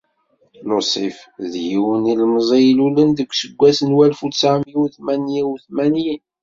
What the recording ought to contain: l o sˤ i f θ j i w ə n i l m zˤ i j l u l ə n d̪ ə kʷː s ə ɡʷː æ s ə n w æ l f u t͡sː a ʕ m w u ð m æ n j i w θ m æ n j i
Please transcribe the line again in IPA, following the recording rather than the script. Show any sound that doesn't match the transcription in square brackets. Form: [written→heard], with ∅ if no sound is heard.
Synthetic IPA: l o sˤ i f [θ→ð] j i w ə n i l m zˤ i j l u l ə n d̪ ə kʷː s ə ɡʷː æ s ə n w æ l f u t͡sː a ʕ m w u [ð→θ] m æ n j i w θ m æ n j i

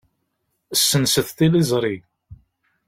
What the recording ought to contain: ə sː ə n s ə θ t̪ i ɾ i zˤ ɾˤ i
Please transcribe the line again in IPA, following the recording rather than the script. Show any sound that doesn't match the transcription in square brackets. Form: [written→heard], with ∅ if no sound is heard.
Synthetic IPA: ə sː ə n s ə θ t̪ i [ɾ→l] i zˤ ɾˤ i

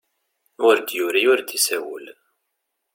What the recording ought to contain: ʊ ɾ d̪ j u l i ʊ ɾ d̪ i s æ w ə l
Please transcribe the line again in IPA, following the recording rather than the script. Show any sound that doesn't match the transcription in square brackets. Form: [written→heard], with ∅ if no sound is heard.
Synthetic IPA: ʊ ɾ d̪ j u [l→ɾ] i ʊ ɾ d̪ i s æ w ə l

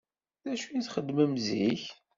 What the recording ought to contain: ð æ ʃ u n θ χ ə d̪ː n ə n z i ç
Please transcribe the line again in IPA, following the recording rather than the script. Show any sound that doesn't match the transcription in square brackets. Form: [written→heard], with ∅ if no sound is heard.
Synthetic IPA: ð æ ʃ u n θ χ ə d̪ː [n→m] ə [n→m] z i ç

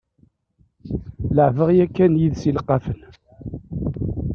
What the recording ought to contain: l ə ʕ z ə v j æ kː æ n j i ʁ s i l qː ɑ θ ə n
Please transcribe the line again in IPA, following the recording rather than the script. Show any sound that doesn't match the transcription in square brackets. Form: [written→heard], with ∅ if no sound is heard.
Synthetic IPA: l ə ʕ [z→v] ə [v→ʁ] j æ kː æ n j i [ʁ→ð] s i l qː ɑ [θ→f] ə n

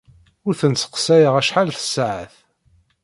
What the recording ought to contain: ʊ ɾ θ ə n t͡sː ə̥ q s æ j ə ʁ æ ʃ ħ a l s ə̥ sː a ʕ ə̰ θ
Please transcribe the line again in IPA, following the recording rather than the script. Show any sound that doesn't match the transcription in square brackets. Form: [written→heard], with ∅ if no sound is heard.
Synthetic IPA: ʊ ɾ θ ə n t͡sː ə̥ q s æ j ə ʁ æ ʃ ħ a l [s→θ] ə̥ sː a ʕ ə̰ θ

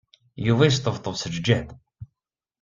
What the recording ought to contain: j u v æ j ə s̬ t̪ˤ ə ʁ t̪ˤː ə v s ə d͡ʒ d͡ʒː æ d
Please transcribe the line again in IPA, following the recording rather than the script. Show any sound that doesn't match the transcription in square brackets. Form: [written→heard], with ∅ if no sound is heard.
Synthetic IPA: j u v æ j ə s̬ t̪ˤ ə [ʁ→v] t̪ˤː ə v s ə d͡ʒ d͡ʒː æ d

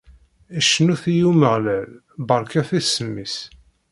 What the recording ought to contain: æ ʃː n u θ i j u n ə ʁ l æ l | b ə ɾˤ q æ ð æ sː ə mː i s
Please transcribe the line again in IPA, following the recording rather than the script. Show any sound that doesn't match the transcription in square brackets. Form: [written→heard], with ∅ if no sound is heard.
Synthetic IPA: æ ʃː n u θ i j u [n→m] ə ʁ l æ l | b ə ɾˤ [q→k] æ [ð→θ] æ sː ə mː i s

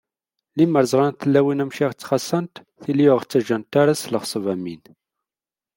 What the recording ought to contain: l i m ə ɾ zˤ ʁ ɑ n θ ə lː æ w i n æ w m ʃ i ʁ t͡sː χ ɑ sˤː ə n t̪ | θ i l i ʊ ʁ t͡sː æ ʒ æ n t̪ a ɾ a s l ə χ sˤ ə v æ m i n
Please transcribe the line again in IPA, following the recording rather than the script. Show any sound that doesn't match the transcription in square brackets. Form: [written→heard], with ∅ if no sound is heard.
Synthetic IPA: l i m ə ɾ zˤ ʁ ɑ n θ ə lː æ w i n æ [w→∅] m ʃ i ʁ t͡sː χ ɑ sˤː ə n t̪ | θ i l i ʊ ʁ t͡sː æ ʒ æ n t̪ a ɾ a s l ə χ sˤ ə v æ m i n

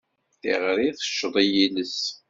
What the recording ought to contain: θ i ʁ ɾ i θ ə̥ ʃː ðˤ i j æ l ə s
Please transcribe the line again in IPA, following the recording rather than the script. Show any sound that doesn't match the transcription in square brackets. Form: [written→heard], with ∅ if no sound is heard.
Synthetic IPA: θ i ʁ ɾ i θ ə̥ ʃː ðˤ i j [æ→i] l ə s

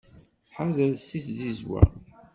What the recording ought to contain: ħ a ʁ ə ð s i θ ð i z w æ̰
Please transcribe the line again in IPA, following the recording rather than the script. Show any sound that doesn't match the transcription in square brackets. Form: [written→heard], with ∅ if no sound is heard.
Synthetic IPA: ħ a [ʁ→ð] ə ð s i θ [ð→z] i z w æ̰

